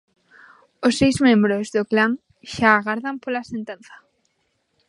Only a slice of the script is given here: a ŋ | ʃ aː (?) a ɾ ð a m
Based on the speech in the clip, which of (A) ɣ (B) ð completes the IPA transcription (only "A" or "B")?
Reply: A